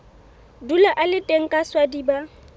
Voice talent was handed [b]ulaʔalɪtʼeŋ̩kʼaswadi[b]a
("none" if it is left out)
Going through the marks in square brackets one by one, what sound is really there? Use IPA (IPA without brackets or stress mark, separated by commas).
d, b